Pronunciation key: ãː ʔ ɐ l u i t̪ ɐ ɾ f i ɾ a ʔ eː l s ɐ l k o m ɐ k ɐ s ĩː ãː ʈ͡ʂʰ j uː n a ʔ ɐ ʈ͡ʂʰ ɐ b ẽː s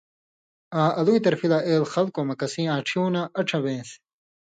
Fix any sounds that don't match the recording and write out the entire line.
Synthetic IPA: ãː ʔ ɐ l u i t̪ ɐ ɾ f i l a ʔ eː l x ɐ l k o m ɐ k ɐ s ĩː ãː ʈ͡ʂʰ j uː n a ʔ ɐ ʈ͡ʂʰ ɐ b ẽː s